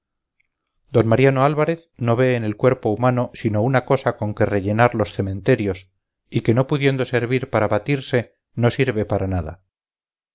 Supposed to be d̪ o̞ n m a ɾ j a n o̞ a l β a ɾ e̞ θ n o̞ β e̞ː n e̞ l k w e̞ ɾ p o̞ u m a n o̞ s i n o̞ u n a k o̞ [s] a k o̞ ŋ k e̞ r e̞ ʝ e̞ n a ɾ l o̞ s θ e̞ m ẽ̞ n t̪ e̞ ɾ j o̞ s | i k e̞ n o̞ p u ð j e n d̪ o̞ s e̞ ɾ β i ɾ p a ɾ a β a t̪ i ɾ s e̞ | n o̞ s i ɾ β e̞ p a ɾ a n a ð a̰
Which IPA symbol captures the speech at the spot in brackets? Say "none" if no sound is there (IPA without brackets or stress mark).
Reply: s